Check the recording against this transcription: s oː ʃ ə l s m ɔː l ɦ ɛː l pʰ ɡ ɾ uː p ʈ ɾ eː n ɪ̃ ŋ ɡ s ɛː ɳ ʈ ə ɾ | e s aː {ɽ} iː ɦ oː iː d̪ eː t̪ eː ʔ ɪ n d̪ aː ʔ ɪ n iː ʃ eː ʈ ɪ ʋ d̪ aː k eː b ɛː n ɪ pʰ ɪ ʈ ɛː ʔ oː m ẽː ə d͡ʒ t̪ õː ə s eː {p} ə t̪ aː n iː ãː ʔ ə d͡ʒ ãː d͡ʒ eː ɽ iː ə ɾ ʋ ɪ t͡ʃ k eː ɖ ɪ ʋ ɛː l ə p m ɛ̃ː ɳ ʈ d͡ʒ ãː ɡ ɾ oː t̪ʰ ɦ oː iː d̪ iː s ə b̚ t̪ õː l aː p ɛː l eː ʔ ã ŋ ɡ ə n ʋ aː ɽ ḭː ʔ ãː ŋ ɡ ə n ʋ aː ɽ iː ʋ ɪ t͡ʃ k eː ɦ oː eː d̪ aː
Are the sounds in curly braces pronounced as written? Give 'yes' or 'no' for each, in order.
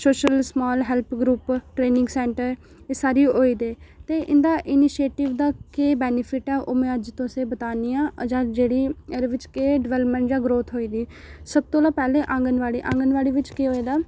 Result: no, no

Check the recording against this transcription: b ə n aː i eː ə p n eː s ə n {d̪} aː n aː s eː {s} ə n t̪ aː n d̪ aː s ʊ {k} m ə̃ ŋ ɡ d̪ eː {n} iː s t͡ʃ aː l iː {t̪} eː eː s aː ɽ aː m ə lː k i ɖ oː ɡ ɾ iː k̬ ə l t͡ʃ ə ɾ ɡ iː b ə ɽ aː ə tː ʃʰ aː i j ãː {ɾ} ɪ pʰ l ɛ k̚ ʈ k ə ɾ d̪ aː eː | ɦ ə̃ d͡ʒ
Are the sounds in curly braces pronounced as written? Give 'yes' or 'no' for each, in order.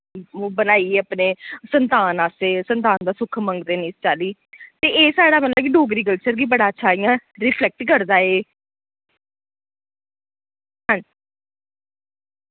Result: no, yes, no, yes, yes, yes

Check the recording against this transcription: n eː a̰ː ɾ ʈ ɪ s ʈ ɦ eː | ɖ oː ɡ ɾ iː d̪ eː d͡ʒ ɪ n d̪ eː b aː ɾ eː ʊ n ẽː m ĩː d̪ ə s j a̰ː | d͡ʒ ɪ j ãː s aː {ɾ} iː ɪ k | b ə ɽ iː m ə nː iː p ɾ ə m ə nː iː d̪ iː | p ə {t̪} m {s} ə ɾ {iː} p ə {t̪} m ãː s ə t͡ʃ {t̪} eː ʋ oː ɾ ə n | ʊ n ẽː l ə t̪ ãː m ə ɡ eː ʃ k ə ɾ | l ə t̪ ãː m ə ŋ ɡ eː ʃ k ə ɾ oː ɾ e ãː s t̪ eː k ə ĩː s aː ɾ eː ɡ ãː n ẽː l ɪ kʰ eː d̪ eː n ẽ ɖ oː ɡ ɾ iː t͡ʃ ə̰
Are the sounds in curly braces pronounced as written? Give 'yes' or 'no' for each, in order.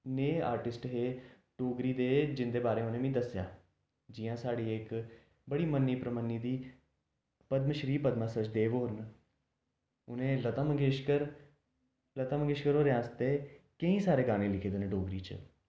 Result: no, no, no, yes, no, no

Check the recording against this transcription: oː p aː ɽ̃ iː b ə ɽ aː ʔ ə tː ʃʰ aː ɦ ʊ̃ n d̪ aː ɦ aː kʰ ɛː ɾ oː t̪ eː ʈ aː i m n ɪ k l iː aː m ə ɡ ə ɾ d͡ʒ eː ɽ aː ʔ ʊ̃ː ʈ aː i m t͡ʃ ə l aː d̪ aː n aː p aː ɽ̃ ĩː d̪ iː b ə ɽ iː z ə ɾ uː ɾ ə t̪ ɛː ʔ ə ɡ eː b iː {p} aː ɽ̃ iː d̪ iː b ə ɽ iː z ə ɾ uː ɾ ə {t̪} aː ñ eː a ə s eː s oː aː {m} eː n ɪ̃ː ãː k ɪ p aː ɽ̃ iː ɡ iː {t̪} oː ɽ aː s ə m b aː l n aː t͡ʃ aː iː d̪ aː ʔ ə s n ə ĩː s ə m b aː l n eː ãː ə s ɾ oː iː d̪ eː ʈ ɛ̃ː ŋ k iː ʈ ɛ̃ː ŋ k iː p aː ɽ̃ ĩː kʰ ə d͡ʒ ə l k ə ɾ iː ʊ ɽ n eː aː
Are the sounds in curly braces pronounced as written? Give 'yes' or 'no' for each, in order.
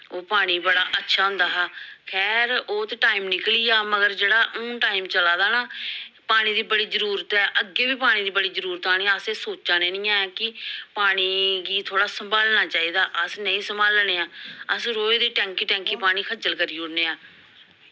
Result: yes, yes, no, no

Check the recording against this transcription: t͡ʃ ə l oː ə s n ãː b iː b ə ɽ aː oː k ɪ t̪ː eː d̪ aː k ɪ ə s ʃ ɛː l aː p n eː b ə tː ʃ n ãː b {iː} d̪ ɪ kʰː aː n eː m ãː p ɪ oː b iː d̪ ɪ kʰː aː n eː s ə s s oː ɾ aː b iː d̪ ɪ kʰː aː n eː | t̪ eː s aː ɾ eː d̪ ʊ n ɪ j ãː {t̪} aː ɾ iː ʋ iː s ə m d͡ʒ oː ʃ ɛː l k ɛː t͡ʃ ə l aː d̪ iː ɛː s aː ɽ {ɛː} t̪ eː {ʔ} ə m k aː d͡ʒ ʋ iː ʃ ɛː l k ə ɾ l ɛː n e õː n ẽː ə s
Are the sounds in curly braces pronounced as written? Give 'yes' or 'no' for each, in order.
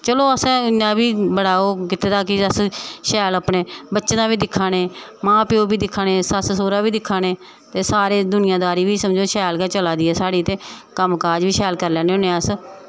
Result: yes, no, no, no

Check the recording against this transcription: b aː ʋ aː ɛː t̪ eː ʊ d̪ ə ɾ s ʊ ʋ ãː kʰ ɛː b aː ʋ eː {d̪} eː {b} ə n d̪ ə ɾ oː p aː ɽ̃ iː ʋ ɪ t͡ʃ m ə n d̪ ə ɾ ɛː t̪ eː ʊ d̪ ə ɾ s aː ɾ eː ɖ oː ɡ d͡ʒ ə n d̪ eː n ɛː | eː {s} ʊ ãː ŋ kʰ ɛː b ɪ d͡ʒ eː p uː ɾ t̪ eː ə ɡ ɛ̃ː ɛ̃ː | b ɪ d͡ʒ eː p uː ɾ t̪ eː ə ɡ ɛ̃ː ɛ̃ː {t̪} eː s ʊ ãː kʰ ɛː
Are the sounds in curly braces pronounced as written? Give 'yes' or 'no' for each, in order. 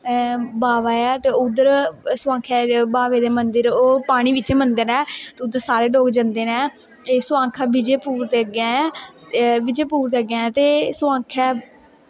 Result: yes, no, yes, yes

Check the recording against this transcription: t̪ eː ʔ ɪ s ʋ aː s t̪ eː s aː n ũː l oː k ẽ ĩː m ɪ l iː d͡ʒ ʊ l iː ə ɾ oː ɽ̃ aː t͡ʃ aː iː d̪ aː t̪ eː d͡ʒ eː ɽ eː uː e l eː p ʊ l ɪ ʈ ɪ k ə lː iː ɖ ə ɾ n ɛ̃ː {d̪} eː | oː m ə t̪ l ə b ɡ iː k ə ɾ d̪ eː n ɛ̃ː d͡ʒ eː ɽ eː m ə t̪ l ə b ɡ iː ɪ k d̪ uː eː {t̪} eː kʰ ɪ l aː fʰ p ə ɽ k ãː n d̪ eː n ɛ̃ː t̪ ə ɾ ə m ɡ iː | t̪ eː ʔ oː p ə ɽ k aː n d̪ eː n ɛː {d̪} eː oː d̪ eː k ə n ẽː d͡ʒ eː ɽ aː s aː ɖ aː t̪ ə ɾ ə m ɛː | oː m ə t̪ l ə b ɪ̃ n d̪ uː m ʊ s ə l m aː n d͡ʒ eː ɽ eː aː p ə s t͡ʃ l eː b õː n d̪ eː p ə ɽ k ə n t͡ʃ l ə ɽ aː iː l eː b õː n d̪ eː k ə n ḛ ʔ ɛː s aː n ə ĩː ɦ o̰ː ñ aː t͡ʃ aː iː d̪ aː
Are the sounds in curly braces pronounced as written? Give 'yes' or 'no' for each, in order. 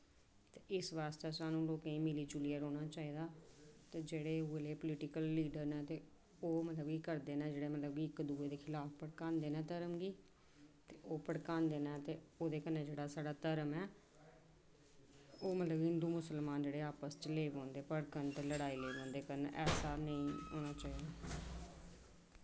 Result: no, no, no

